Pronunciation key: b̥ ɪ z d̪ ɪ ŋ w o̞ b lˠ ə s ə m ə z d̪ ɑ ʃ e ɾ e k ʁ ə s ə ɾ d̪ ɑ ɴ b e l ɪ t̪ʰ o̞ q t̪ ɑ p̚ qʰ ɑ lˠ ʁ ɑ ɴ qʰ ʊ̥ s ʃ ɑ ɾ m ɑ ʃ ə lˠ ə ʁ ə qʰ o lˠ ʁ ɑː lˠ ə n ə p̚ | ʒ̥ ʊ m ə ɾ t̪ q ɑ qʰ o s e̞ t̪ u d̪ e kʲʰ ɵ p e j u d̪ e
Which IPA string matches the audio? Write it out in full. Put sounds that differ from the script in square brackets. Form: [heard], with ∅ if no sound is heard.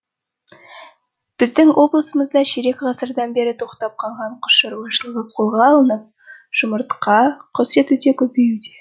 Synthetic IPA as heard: b̥ ɪ z d̪ ɪ ŋ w o̞ b lˠ ə s ə m ə z d̪ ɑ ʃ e ɾ e k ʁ [ɑ] s ə ɾ d̪ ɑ [n] b e [ɾ] ɪ t̪ʰ o̞ q t̪ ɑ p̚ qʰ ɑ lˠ ʁ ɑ ɴ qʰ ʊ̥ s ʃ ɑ ɾ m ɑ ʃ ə lˠ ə ʁ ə qʰ o lˠ ʁ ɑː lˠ ə n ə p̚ | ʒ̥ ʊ m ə ɾ t̪ q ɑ qʰ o s e̞ t̪ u d̪ e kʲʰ ɵ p e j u d̪ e